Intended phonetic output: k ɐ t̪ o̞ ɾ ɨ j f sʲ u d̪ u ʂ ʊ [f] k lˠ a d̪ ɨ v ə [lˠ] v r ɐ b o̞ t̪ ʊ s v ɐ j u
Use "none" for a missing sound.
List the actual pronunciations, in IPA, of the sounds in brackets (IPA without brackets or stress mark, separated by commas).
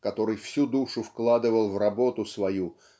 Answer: f, lˠ